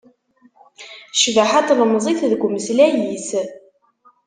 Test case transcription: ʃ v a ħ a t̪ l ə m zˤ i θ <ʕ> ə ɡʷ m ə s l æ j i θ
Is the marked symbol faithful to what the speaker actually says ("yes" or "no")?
no